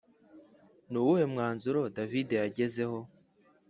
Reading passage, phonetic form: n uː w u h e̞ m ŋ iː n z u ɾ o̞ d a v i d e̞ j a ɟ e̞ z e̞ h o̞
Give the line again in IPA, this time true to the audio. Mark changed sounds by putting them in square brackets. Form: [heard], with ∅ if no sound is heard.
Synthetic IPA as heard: n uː w u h e̞ m ŋ [aː] n z u ɾ o̞ d a v i d e̞ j a ɟ e̞ z e̞ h o̞